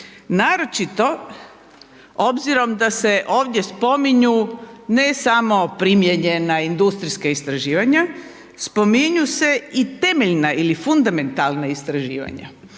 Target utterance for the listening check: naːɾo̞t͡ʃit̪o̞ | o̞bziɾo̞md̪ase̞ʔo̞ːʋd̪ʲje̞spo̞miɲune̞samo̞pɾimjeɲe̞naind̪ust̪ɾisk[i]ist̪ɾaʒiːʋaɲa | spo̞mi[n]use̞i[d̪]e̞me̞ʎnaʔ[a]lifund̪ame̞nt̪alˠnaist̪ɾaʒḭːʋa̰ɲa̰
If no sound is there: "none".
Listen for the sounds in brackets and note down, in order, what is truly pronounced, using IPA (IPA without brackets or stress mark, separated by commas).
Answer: a, ɲ, t̪, i